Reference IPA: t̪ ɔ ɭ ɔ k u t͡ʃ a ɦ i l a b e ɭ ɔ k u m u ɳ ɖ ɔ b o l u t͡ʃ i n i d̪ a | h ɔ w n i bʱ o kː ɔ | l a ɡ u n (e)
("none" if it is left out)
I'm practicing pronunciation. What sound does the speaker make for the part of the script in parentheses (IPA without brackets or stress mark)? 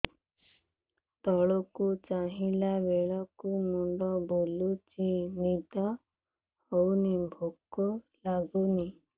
i